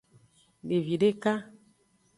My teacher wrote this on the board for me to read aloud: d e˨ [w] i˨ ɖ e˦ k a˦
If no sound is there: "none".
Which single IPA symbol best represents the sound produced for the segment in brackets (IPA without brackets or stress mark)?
v